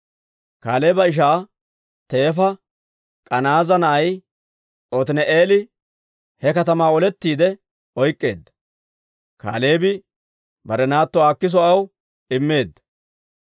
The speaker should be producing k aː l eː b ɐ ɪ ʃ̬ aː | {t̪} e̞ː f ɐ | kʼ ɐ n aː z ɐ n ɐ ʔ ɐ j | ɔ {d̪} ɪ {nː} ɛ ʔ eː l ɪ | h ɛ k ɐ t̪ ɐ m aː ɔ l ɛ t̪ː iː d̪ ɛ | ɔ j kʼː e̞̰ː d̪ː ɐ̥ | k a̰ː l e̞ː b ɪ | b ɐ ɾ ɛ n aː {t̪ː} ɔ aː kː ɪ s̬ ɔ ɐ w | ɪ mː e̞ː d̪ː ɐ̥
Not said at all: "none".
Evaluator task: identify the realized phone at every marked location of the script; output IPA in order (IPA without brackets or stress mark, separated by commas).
t̪, t̪, n, t̪ː